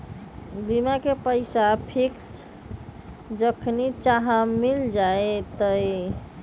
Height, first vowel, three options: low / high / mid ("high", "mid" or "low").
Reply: high